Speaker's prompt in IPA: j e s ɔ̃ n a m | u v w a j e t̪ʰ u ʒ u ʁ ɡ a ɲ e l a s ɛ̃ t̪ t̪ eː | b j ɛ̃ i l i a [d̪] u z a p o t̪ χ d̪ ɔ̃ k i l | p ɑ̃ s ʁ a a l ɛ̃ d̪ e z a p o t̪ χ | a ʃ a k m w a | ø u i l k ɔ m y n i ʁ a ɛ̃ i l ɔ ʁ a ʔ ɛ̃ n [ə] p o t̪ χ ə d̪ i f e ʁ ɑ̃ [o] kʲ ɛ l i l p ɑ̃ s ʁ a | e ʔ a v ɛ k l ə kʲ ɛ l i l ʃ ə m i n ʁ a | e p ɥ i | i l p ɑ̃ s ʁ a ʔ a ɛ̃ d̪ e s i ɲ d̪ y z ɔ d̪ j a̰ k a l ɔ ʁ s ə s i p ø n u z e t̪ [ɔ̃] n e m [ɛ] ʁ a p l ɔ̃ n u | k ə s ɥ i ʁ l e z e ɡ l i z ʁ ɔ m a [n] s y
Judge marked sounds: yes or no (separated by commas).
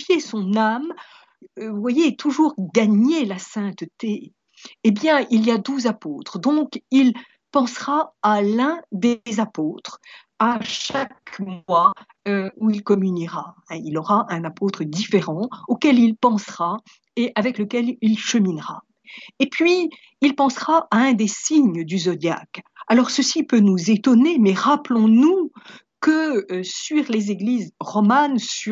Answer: yes, no, yes, no, yes, yes